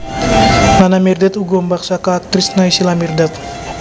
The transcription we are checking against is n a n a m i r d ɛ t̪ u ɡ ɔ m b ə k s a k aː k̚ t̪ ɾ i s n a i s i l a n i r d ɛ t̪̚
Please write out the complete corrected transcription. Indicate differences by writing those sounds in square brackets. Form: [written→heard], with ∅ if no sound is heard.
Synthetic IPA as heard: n a n a m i r d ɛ t̪ u ɡ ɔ m b [ə→a] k s a k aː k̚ t̪ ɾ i s n a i s i l a [n→m] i r d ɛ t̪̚